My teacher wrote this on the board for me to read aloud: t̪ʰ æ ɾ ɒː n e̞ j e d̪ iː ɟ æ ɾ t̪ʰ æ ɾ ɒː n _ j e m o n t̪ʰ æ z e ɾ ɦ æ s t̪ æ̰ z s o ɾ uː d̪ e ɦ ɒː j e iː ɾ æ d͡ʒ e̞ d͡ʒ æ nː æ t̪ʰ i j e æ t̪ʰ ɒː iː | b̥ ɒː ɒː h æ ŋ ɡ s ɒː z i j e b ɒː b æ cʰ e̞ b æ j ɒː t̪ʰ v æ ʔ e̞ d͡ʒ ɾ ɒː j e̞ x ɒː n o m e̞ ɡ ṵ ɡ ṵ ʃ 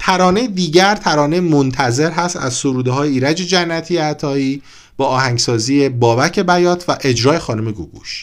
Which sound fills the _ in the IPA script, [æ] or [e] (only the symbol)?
e